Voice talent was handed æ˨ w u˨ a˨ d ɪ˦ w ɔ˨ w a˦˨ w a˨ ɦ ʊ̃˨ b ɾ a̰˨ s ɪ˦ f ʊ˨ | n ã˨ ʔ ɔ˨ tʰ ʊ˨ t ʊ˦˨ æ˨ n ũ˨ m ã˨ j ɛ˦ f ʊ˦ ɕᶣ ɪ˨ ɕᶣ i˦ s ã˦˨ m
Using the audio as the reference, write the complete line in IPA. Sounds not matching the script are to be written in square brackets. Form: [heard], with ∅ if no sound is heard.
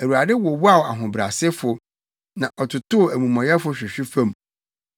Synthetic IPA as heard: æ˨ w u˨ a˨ d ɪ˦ w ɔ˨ w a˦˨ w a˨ ɦ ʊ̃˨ b ɾ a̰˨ s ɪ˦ f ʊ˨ | n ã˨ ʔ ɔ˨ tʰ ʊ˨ t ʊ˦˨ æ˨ [m] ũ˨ m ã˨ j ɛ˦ f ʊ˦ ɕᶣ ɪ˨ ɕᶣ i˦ [f] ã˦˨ m

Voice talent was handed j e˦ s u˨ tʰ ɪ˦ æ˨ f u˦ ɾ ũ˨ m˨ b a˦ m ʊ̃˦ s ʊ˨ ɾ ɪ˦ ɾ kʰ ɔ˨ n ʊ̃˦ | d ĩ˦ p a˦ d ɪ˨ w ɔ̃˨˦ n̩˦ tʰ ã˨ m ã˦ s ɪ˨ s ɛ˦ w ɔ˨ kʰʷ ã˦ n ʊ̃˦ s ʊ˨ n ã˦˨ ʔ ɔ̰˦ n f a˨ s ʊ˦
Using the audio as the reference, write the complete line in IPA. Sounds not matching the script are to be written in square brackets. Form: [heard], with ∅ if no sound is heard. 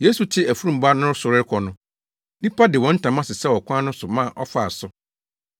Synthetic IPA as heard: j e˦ s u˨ tʰ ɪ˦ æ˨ f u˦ ɾ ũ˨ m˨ b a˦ [n] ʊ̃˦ s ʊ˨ ɾ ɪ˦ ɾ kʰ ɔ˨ n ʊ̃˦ | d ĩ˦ p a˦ d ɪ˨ w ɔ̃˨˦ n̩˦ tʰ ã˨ m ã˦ s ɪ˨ s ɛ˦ w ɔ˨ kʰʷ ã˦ n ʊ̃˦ s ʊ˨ [m] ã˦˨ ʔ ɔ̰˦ [∅] f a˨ s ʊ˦

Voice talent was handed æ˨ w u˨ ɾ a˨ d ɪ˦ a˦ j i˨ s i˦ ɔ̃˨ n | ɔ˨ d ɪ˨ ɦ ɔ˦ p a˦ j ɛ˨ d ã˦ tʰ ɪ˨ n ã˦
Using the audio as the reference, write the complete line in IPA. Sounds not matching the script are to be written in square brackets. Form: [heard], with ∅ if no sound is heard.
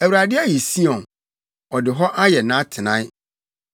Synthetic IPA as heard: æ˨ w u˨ ɾ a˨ d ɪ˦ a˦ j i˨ s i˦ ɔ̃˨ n | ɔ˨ d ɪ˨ ɦ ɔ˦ [ʔ] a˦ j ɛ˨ [n] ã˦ tʰ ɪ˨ n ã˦

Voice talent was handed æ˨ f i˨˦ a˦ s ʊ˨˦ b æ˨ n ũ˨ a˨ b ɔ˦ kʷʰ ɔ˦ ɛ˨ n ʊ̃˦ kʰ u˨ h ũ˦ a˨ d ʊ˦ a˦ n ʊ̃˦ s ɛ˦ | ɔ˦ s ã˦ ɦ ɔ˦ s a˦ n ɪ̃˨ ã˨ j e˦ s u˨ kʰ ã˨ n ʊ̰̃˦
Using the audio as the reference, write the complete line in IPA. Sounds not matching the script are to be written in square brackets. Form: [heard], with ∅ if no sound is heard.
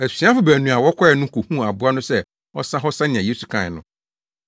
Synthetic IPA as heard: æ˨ [s] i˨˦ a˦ [f] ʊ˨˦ b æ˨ n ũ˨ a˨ [w] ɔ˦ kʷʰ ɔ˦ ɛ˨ n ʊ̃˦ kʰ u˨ h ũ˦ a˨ [b] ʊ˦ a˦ n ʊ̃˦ s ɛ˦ | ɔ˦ s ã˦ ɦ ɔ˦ s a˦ n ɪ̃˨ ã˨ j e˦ s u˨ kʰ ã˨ n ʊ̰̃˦

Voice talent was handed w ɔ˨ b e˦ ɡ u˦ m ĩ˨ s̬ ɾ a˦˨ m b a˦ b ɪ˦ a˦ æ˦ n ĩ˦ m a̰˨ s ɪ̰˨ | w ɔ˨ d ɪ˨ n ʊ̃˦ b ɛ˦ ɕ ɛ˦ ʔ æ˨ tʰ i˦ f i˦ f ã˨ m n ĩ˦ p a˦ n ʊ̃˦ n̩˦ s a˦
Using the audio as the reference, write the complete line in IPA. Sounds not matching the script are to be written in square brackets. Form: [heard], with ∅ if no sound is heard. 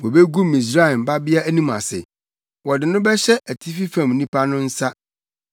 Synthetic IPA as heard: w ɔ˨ b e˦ ɡ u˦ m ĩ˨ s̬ ɾ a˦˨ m b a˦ b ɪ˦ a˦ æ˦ n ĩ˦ m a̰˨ s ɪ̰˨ | w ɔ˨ d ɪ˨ n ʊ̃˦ b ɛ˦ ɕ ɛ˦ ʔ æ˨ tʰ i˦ f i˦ f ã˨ m n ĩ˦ p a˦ n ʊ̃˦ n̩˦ s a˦

